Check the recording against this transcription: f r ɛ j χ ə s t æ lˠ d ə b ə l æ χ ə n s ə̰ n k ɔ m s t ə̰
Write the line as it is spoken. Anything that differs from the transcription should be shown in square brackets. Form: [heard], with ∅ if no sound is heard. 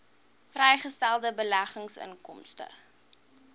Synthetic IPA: f r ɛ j χ ə s t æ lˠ d ə b ə l æ χ ə [ŋ] s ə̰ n k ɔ m s t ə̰